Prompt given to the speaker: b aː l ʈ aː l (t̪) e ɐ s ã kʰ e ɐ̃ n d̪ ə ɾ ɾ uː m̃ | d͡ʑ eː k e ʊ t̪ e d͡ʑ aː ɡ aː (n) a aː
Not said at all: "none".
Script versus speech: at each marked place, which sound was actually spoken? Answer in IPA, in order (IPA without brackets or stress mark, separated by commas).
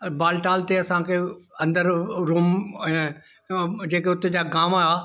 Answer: t̪, m